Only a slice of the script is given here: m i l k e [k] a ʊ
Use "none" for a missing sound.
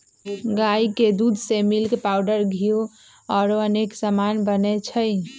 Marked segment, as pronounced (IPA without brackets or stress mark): p